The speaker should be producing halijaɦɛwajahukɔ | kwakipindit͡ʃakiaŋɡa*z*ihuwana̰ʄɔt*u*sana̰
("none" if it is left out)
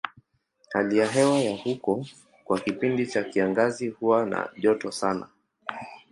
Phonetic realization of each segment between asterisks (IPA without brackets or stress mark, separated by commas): z, ɔ